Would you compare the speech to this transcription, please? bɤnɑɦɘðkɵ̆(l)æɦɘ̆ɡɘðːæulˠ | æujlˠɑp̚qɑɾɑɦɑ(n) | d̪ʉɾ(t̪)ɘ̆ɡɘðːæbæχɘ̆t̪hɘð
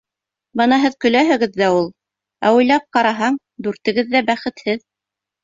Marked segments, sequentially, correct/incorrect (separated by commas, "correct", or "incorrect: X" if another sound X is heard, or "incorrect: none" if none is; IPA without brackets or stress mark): correct, incorrect: ɴ, correct